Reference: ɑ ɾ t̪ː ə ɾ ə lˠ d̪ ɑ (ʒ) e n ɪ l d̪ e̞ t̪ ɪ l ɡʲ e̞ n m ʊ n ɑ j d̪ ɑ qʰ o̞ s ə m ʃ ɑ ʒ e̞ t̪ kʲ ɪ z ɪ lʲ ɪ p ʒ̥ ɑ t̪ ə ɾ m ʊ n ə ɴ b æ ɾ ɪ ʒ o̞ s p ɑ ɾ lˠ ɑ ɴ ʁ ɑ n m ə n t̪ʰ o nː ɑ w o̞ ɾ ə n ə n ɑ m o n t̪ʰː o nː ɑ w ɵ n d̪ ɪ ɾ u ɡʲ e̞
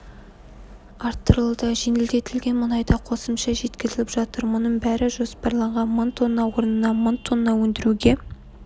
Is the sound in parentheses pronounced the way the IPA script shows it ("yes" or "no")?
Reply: yes